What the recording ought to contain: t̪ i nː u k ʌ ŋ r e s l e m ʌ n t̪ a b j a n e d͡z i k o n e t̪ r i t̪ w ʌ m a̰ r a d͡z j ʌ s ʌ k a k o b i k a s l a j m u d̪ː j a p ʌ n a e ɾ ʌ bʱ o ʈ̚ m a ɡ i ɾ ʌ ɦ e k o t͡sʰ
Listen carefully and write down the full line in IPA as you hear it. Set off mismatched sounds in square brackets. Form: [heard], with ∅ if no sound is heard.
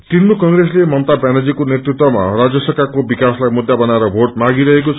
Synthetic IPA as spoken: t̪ i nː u k ʌ ŋ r e s l e m ʌ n t̪ a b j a n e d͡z i k o n e t̪ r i t̪ w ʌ m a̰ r a d͡z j ʌ s ʌ k a k o b i k a s l a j m u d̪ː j a [b] ʌ n a e ɾ ʌ bʱ o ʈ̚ m a ɡ i ɾ ʌ ɦ e k o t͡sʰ